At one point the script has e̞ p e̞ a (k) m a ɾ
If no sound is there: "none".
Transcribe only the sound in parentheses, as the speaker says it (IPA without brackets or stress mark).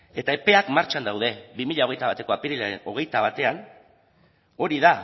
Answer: k